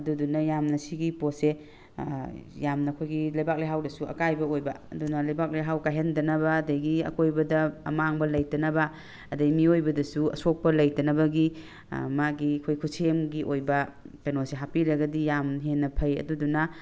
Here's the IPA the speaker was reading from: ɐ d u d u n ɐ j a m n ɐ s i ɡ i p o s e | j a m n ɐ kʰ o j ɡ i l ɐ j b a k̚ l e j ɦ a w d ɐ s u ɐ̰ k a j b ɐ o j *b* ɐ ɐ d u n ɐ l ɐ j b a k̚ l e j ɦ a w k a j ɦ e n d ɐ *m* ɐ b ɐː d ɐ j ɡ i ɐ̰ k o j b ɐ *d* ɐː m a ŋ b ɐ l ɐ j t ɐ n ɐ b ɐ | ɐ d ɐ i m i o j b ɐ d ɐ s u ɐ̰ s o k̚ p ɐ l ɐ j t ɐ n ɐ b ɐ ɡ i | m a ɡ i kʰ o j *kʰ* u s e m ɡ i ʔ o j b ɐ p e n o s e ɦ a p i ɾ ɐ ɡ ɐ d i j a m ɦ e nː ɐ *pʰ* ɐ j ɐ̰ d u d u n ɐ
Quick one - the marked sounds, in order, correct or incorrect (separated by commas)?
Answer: correct, incorrect, correct, correct, correct